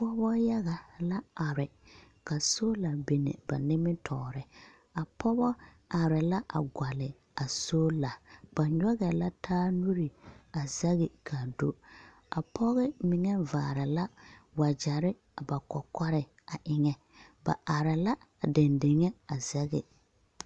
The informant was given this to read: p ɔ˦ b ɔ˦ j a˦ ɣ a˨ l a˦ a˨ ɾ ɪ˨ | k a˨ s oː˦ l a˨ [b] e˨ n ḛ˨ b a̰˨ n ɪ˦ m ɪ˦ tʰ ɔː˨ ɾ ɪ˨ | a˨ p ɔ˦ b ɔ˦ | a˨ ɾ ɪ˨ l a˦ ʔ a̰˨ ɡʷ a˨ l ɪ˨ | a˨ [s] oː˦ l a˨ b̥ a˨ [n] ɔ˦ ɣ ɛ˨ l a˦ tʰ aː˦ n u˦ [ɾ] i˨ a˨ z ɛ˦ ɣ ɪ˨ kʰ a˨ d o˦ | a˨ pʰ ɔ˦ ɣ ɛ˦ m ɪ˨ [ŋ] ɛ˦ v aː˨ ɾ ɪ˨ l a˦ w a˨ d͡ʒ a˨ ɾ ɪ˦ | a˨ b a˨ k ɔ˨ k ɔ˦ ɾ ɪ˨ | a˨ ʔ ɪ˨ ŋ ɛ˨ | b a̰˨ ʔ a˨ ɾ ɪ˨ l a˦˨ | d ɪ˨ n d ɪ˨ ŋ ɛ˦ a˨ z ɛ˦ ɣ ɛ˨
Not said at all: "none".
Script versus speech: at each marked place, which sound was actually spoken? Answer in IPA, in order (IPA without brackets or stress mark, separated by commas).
b, s, ɲ, ɾ, ŋ